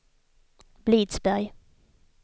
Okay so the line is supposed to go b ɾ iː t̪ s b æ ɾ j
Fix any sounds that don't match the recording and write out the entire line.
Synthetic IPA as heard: b l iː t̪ s b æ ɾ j